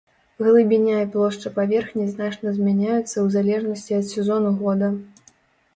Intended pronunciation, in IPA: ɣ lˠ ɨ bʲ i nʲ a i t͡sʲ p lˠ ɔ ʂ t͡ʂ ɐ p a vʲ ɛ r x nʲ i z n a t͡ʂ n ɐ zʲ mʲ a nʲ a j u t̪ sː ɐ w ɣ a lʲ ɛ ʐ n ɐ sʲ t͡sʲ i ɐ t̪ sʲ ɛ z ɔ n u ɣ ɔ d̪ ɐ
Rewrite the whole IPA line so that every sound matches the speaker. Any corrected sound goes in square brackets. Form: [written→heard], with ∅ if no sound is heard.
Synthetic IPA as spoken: ɣ lˠ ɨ bʲ i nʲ a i [t͡sʲ→∅] p lˠ ɔ ʂ t͡ʂ ɐ p a vʲ ɛ r x nʲ i z n a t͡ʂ n ɐ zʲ mʲ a nʲ a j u t̪ sː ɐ w [ɣ→z] a lʲ ɛ ʐ n ɐ sʲ t͡sʲ i ɐ t̪ sʲ ɛ z ɔ n u ɣ ɔ d̪ ɐ